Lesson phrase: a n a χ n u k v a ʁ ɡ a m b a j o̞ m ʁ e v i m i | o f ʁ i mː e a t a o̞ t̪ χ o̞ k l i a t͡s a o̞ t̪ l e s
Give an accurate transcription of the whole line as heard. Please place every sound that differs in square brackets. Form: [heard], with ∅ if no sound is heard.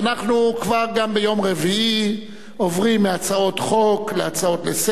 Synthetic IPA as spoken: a n a χ n u k v a ʁ ɡ a m b [e] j o̞ m ʁ e v i [∅] i | o [v] ʁ i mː e a [t͡s] a o̞ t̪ χ o̞ k l [e] a t͡s a o̞ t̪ l e s